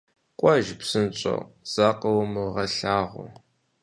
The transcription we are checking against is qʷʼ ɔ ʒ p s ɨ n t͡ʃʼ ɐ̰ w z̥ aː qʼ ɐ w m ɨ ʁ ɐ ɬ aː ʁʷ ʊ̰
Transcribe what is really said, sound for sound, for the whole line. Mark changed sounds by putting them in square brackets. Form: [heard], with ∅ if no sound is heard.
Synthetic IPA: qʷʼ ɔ ʒ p s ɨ n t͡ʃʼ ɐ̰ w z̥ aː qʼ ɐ w m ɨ ʁ ɐ ɬ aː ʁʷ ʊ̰